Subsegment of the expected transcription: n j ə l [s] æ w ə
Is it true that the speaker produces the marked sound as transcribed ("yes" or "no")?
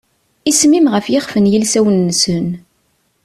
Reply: yes